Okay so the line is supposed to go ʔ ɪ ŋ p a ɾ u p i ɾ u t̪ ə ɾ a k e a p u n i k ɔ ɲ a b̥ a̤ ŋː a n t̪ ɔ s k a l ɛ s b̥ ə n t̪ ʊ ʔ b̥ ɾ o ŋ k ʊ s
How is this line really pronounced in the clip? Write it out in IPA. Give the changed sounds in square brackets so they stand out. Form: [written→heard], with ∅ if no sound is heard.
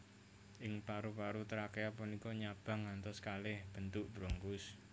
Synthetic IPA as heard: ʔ ɪ ŋ p a ɾ u p [i→a] ɾ u t̪ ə ɾ a k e a p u n i k ɔ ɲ a b̥ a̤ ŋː a n t̪ ɔ s k a l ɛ [s→h] b̥ ə n t̪ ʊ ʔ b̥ ɾ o ŋ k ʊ s